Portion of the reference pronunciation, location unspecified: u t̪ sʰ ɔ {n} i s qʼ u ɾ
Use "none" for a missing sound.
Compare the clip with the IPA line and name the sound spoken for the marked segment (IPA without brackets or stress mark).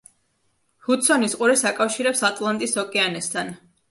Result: n